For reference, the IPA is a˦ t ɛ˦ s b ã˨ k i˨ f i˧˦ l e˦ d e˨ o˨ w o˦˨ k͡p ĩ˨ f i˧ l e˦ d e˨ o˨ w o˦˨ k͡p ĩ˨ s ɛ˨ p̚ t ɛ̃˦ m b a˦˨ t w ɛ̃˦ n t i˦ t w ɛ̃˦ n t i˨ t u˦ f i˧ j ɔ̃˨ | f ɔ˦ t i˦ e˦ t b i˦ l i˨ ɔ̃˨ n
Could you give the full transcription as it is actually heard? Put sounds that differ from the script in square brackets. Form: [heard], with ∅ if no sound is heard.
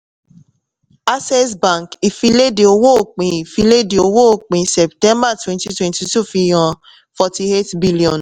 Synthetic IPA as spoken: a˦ [s] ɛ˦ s b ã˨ k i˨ f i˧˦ l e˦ d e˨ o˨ w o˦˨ k͡p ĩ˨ f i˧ l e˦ d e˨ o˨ w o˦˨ k͡p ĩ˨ s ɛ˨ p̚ t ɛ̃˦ m b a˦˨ t w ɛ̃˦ n t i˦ t w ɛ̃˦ n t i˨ t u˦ f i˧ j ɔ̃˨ | f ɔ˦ t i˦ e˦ t b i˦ l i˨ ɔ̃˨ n